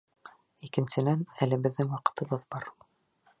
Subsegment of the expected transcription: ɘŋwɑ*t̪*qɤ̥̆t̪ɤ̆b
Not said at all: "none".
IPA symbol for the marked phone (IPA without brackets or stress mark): none